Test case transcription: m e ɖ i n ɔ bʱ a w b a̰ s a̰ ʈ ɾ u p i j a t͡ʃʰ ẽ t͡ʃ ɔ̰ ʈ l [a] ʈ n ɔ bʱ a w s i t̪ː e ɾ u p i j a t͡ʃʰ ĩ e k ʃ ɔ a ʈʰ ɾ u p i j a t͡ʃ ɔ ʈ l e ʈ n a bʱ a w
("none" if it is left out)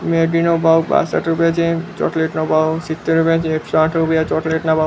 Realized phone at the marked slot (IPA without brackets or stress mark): e